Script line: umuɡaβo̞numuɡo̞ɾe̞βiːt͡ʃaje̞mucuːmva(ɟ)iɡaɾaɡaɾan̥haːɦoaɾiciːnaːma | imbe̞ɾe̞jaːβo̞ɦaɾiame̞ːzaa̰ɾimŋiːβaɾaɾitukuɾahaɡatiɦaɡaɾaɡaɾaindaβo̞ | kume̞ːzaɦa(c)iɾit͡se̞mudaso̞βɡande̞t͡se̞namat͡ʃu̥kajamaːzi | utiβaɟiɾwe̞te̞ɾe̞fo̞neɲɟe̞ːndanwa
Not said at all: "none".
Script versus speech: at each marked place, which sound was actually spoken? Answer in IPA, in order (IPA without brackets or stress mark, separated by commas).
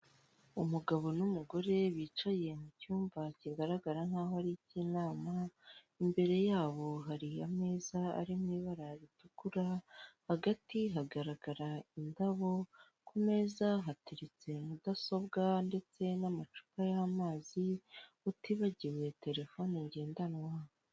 c, t